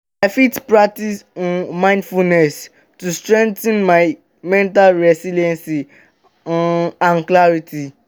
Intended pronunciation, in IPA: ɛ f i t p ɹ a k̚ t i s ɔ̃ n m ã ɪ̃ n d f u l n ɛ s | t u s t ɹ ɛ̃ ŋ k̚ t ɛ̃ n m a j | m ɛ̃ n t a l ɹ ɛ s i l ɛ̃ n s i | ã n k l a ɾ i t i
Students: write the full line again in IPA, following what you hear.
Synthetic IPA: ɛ f i t p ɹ a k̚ t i s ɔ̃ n m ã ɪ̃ n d f u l n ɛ s | t u s t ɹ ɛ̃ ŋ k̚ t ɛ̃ n m a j | m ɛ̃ n t a l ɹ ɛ s i l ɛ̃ n s i | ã n k l a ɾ i t i